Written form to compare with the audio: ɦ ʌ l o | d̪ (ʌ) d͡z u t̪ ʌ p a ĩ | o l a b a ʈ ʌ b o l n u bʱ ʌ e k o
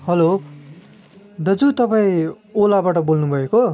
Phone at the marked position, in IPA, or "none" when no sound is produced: ʌ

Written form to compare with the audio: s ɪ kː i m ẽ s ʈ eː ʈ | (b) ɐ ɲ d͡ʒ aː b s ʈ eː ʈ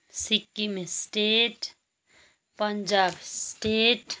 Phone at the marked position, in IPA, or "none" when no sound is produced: p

